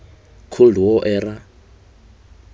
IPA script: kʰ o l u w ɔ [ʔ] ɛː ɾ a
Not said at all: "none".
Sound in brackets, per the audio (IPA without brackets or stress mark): ʔ